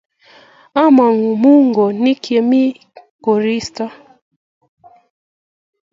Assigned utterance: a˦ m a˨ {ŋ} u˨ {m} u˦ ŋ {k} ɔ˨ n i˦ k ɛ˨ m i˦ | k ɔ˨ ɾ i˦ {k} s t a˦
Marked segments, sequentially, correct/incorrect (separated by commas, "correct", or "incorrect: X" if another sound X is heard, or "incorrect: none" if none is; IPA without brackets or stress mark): correct, correct, incorrect: ɡ, incorrect: none